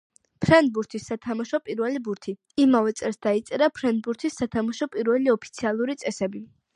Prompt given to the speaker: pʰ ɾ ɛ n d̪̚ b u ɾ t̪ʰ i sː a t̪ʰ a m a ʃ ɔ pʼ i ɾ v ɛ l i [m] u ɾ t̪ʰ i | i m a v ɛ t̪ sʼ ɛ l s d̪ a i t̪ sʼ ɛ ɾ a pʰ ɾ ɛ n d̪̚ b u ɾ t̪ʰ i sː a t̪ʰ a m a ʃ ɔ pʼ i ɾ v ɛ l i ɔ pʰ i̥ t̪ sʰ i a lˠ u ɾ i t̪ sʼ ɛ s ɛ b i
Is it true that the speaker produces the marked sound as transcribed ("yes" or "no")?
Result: no